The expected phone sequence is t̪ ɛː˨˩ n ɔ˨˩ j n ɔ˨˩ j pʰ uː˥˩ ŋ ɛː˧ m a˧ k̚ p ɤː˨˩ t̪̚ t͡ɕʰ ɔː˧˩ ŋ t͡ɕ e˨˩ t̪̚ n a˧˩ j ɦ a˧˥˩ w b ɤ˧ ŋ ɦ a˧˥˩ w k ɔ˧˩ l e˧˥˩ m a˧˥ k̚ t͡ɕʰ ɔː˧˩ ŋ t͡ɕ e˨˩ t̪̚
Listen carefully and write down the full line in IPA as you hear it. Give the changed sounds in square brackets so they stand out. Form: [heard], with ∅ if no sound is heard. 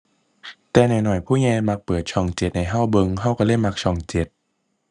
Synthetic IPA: t̪ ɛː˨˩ n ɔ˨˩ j n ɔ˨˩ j pʰ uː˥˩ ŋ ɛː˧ m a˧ k̚ p ɤː˨˩ t̪̚ t͡ɕʰ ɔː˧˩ ŋ t͡ɕ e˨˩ t̪̚ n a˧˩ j ɦ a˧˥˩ w b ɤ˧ ŋ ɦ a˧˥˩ w k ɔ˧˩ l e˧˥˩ m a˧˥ k̚ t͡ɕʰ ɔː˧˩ ŋ t͡ɕ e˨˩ t̪̚